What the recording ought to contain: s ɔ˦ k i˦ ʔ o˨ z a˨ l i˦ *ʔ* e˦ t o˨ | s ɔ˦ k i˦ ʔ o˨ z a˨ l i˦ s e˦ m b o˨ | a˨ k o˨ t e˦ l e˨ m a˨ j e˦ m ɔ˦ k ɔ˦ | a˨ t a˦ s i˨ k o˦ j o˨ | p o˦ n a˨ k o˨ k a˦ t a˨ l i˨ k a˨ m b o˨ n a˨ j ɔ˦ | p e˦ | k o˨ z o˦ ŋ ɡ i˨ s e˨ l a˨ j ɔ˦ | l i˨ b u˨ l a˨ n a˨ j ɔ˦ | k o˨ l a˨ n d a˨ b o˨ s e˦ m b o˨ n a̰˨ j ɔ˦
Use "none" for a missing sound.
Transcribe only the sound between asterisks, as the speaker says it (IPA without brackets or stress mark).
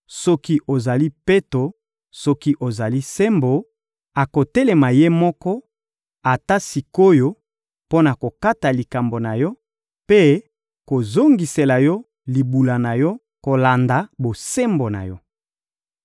p